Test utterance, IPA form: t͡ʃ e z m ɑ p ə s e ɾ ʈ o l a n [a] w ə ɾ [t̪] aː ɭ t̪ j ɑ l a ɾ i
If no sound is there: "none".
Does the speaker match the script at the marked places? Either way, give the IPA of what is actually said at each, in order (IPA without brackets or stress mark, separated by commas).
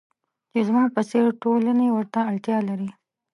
e, t̪